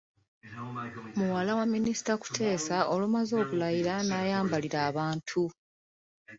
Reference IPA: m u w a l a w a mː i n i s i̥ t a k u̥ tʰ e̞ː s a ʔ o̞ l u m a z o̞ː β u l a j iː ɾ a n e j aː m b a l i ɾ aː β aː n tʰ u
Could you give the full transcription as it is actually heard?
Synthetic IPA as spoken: m u w a l a w a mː i n i s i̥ t a k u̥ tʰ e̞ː s a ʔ o̞ l u m a z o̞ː β u l a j i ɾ a n a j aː m b a l i ɾ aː β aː n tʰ u

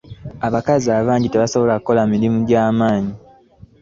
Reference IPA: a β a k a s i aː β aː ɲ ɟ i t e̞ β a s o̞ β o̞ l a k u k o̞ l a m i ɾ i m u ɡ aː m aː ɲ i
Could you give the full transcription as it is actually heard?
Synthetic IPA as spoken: a β a k a z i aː β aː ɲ ɟ i t e̞ β a s o̞ β o̞ l a k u k o̞ l a m i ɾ i m u ɟ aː m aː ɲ i

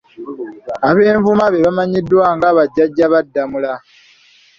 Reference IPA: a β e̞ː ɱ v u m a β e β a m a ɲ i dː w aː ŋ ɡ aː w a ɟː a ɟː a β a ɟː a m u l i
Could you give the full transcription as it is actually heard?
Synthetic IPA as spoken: a β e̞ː ɱ v u m a β e β a m a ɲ i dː w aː ŋ ɡ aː β a ɟː a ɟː a β a dː a m u l a

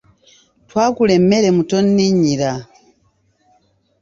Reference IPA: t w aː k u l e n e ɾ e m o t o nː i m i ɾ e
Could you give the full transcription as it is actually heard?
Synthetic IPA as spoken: t w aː k u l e m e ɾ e m u t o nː i ɲ i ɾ a

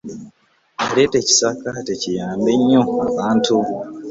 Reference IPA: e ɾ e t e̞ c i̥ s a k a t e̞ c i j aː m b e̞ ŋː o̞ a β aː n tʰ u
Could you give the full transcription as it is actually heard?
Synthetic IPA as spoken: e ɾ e t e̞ c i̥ s a k a t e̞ c i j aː m b e̞ ɲː o̞ a β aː n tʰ u

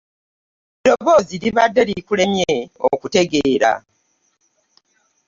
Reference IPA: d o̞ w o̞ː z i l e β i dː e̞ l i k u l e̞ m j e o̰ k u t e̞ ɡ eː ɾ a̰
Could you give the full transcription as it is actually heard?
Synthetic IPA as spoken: d o̞ β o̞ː z i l i β a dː e̞ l i k u l e̞ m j e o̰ k u t e̞ ɡ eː ɾ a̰

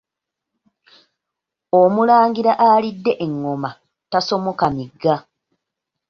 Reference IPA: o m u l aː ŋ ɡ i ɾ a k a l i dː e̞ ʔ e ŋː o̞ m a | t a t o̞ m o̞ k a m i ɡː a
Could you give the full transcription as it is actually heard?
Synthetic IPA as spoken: o m u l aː ŋ ɡ i ɾ a ʔ a l i dː e̞ ʔ e ŋː o̞ m a | t a s o̞ m o̞ k a m i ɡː a

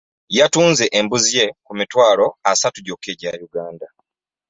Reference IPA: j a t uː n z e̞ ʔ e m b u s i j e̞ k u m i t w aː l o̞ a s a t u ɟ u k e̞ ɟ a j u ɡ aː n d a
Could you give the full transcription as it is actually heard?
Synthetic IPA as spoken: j a t uː n z e̞ ʔ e m b u z i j e̞ k u m i t w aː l o̞ a s a t u ɟ o k e̞ ɟ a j u ɡ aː n d a

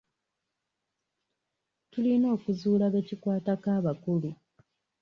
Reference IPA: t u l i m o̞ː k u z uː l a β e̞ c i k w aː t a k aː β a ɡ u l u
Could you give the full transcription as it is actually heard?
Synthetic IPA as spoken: t u l i n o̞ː k u z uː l a β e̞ c i k w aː t a k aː β a k u l u

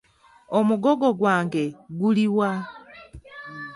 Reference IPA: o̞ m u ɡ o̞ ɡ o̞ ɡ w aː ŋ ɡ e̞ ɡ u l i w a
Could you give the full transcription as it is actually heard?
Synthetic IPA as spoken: o̞ m u ɡ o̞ ɡ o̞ ɡ w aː ŋ ɡ e̞ ɡ u l i w a

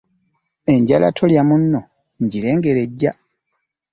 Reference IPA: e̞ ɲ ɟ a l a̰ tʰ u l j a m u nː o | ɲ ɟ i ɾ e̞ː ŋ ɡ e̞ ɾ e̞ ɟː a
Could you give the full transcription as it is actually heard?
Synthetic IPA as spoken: e̞ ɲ ɟ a l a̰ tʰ o l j a m u nː o | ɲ ɟ i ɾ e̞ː ŋ ɡ e̞ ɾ e̞ ɟː a

